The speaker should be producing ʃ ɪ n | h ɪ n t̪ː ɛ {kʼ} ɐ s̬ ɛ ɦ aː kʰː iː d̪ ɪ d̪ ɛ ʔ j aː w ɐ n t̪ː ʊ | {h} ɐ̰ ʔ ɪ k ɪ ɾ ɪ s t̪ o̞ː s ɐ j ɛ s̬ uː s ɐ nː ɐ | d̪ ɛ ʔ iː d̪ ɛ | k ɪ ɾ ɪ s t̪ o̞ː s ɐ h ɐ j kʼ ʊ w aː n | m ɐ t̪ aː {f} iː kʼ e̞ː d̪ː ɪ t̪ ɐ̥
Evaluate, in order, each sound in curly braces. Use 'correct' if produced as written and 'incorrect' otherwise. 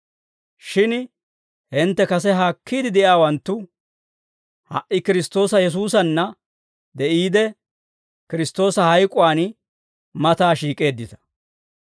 incorrect: k, correct, incorrect: ʃ

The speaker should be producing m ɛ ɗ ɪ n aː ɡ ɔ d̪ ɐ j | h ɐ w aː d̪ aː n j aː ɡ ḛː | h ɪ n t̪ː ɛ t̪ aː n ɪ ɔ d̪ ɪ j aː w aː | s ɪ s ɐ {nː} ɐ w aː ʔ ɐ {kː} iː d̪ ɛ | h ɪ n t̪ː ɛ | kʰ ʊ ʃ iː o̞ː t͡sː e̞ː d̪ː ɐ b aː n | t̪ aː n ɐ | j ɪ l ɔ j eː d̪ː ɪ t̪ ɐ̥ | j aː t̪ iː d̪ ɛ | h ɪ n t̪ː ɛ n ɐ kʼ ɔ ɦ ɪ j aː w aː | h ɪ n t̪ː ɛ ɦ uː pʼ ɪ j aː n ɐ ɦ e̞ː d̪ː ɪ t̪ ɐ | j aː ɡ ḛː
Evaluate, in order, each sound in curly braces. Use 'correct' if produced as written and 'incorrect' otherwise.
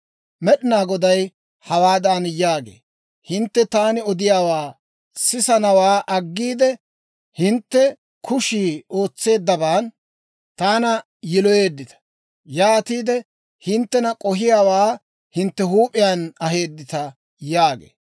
incorrect: n, incorrect: ɡː

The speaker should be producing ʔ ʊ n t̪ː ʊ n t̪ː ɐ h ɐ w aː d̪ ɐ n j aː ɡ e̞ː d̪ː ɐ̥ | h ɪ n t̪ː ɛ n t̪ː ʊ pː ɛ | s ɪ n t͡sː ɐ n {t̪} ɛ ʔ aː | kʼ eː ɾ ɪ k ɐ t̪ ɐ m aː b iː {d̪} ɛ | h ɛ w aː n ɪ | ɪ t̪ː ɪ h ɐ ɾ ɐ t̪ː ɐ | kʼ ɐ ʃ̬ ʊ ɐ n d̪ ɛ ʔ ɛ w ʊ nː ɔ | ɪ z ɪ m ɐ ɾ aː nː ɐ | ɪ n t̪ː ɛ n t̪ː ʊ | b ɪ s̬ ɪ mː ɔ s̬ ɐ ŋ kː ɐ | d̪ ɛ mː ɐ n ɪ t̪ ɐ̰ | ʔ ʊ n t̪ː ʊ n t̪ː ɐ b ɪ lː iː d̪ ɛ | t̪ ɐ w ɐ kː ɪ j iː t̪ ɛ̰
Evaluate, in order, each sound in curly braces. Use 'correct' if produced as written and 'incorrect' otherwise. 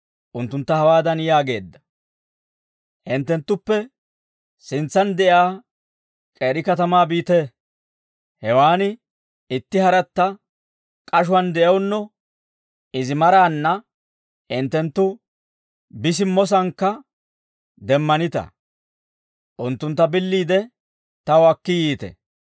incorrect: d̪, incorrect: t̪

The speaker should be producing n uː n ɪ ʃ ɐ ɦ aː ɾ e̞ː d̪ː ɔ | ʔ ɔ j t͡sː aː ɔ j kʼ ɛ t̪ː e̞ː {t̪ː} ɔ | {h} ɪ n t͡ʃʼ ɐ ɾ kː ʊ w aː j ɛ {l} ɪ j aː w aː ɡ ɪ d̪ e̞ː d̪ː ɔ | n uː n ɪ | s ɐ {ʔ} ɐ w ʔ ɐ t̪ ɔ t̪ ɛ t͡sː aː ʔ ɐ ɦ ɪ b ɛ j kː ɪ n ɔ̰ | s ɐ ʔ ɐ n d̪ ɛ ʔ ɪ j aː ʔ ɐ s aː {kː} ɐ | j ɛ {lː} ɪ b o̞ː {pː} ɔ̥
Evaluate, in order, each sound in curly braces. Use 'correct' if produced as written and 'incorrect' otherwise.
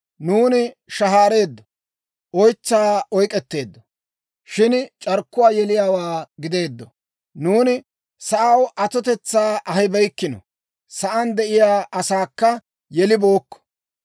incorrect: d̪ː, incorrect: ʃ, correct, correct, correct, incorrect: l, incorrect: kː

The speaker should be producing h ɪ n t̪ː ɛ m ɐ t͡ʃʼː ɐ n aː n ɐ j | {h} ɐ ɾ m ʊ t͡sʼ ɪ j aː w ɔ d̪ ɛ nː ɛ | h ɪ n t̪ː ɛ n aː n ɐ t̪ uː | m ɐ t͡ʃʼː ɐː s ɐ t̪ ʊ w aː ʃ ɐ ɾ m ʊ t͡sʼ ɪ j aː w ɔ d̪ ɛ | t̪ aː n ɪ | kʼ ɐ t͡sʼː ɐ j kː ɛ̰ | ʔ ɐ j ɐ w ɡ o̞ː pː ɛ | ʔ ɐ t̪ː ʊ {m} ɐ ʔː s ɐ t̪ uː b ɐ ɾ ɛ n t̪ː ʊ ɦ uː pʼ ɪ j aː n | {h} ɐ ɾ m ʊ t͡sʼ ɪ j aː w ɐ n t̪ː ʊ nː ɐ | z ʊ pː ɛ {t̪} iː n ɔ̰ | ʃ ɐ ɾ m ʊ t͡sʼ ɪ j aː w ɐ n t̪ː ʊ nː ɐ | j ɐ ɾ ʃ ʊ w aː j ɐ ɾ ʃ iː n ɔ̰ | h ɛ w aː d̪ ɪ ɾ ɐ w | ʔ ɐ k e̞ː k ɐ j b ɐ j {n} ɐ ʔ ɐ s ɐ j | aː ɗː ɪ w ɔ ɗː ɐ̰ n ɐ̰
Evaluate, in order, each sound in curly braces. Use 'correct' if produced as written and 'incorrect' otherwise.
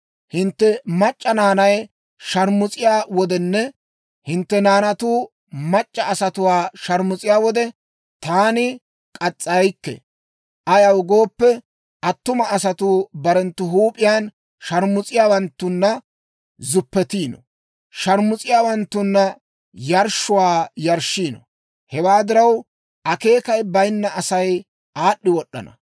incorrect: ʃ, correct, incorrect: ʃ, correct, incorrect: nː

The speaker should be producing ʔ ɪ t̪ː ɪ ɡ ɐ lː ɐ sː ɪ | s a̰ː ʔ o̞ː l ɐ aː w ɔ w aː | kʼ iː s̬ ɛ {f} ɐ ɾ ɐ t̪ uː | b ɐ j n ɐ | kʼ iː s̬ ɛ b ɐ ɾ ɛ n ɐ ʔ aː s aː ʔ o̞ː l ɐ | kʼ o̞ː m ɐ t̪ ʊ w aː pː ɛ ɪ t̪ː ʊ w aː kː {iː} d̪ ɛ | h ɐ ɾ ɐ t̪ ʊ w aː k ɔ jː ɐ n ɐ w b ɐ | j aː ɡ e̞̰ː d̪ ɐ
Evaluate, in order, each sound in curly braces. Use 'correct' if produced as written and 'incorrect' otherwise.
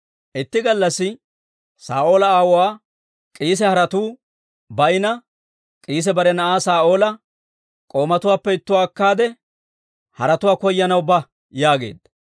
incorrect: h, incorrect: aː

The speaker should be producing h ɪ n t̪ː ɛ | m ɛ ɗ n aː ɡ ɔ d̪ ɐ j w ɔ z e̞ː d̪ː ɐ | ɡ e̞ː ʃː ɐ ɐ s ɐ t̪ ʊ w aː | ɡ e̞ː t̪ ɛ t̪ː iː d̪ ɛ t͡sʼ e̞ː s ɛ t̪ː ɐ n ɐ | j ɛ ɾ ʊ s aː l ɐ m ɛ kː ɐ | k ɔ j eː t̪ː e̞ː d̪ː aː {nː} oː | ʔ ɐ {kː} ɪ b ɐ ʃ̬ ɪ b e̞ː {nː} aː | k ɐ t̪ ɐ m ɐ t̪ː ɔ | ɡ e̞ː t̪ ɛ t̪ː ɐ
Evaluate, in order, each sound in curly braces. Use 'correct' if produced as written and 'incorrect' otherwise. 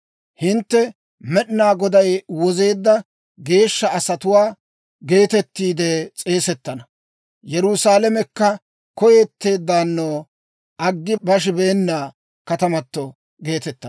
correct, incorrect: ɡː, correct

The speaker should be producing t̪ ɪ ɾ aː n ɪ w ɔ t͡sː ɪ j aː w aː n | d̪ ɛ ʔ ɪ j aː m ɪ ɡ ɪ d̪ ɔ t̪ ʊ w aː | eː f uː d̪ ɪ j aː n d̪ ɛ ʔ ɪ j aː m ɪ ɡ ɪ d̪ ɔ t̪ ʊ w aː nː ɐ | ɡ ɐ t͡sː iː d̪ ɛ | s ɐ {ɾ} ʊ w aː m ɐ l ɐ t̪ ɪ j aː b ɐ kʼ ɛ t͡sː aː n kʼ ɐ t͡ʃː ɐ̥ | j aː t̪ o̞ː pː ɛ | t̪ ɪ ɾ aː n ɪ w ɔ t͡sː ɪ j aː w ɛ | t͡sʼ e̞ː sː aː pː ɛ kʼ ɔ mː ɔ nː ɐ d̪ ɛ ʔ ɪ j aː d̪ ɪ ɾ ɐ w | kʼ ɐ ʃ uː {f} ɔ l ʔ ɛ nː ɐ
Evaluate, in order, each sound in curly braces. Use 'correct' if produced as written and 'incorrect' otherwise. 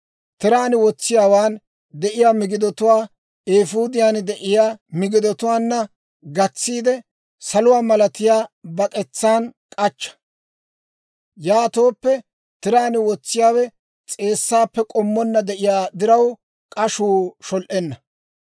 incorrect: l, incorrect: ʃ

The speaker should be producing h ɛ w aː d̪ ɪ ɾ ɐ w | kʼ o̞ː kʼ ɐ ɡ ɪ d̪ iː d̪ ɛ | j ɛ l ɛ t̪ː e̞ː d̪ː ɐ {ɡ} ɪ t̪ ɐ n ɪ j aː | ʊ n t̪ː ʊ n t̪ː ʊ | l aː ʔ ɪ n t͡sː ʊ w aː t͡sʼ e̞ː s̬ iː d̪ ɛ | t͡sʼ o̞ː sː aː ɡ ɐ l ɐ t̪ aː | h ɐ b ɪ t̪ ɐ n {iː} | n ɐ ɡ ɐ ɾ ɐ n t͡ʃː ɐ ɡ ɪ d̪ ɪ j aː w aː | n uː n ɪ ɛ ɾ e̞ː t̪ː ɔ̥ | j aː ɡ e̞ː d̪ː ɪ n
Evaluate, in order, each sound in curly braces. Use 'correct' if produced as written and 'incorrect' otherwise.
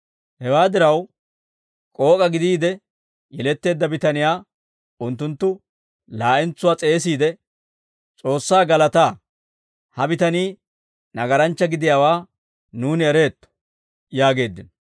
incorrect: b, correct

